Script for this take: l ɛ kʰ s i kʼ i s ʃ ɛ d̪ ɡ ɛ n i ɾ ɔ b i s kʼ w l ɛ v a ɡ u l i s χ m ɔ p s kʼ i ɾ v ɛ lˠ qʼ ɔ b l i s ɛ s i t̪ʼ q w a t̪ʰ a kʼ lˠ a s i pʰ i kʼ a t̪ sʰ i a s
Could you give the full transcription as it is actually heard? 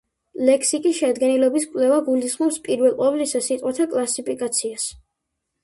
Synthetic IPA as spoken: l ɛ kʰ s i kʼ i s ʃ ɛ d̪ ɡ ɛ n i l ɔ b i s kʼ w l ɛ v a ɡ u l i s χ m ɔ p s pʼ i ɾ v ɛ lˠ qʼ ɔ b l i s a s i t̪ʼ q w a t̪ʰ a kʼ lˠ a s i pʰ i kʼ a t̪ sʰ i a s